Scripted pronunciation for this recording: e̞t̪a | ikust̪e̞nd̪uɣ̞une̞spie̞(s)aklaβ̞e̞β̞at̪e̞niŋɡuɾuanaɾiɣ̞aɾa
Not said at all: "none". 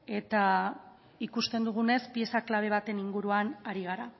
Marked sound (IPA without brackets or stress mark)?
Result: s